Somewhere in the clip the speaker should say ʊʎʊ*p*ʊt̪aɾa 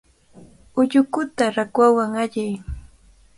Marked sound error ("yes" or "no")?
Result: yes